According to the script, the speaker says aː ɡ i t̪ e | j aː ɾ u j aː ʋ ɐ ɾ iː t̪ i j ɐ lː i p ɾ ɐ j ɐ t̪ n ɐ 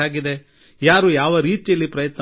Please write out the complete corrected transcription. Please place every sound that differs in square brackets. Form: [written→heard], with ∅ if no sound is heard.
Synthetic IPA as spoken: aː ɡ i [t̪→d̪] e | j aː ɾ u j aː ʋ ɐ ɾ iː t̪ i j ɐ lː i p ɾ ɐ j ɐ t̪ n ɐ

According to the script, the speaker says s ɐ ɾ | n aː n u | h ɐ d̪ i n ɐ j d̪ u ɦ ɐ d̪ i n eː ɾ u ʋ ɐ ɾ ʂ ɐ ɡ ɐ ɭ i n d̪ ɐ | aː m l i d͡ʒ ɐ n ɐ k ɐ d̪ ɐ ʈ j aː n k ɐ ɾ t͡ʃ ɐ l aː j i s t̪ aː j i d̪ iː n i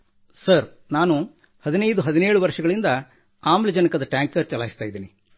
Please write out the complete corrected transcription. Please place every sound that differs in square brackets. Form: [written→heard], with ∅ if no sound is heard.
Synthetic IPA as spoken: s ɐ ɾ | n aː n u | h ɐ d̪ i n ɐ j d̪ u ɦ ɐ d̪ i n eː [ɾ→ɭ] u ʋ ɐ ɾ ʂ ɐ ɡ ɐ ɭ i n d̪ ɐ | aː m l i d͡ʒ ɐ n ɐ k ɐ d̪ ɐ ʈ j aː [n→ŋ] k ɐ ɾ t͡ʃ ɐ l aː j i s t̪ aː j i d̪ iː n i

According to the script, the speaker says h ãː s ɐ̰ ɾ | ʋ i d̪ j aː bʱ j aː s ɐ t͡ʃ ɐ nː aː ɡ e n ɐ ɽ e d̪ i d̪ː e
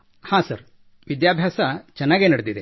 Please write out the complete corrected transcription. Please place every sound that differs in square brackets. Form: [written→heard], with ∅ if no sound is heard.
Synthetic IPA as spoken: h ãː s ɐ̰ ɾ | ʋ i d̪ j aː bʱ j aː s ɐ t͡ʃ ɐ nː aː ɡ e n ɐ ɽ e d̪ i [d̪ː→d̪] e

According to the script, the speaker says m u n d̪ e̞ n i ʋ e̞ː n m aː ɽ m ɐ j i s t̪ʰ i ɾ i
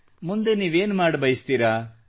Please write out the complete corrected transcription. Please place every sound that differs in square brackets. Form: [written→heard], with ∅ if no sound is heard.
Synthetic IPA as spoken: m u n d̪ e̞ n [i→iː] ʋ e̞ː n m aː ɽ [m→b] ɐ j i s [t̪ʰ→t̪] i ɾ [i→a]

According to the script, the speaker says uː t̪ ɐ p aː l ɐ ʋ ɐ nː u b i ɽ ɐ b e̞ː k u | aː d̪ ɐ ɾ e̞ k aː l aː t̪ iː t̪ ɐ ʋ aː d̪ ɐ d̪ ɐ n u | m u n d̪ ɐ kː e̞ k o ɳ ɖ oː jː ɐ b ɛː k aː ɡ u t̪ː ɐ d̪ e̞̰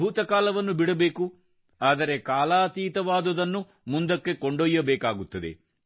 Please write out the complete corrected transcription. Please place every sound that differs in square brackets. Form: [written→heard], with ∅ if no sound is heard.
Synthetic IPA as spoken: uː t̪ ɐ [p→k] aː l ɐ ʋ ɐ nː u b i ɽ ɐ b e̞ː k u | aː d̪ ɐ ɾ e̞ k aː l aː t̪ iː t̪ ɐ ʋ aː d̪ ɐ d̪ ɐ [n→nː] u | m u n d̪ ɐ kː e̞ k o ɳ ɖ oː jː ɐ b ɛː k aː ɡ u t̪ː ɐ d̪ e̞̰

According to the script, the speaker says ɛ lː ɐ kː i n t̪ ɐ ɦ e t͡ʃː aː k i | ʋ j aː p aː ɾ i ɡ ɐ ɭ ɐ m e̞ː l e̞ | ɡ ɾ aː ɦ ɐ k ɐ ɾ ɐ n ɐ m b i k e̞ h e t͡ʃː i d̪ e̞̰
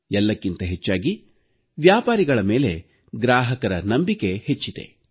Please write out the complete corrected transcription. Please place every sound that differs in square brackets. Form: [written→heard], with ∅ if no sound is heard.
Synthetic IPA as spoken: ɛ lː ɐ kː i n t̪ ɐ ɦ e t͡ʃː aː [k→ɡ] i | ʋ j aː p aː ɾ i ɡ ɐ ɭ ɐ m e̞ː l e̞ | ɡ ɾ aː ɦ ɐ k ɐ ɾ ɐ n ɐ m b i k e̞ h e t͡ʃː i d̪ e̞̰

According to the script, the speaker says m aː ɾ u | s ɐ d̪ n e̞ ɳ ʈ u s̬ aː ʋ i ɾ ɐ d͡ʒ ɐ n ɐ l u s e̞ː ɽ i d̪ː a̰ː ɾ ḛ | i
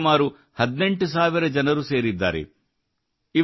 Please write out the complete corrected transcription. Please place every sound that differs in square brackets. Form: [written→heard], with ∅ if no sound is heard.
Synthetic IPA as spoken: m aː ɾ u | [s→h] ɐ d̪ n e̞ ɳ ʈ u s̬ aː ʋ i ɾ ɐ d͡ʒ ɐ n ɐ [l→ɾ] u s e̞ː [ɽ→ɾ] i d̪ː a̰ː ɾ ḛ | i

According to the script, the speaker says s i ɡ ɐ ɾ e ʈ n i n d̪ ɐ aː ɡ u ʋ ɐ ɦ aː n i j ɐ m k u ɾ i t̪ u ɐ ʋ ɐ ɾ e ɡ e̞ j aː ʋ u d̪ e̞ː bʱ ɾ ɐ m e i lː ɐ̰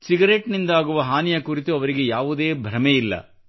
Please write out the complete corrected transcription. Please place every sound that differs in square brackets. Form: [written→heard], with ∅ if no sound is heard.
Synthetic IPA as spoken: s i ɡ ɐ ɾ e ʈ n i n d̪ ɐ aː ɡ u ʋ ɐ ɦ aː n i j ɐ [m→∅] k u ɾ i t̪ u ɐ ʋ ɐ ɾ [e→i] ɡ e̞ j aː ʋ u d̪ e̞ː bʱ ɾ ɐ m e i lː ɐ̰

